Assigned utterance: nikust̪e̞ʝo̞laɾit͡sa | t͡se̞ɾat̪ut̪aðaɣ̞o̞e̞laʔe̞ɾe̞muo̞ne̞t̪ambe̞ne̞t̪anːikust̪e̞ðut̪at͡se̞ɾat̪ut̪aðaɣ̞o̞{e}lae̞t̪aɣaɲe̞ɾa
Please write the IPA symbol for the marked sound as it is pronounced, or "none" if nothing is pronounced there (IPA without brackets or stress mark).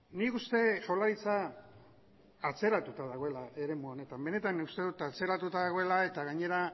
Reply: e